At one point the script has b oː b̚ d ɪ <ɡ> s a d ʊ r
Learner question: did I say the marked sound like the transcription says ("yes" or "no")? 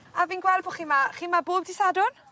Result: no